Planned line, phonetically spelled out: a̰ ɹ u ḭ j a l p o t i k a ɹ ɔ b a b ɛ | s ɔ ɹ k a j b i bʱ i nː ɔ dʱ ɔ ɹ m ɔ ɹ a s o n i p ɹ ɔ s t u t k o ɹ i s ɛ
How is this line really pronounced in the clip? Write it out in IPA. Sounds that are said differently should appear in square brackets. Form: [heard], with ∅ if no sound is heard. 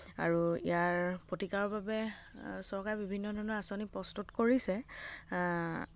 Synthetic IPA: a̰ ɹ u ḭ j a [ɹ] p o t i k a ɹ ɔ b a b ɛ | s ɔ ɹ k a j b i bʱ i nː ɔ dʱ ɔ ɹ [n] ɔ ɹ a s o n i p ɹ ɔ s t u t k o ɹ i s ɛ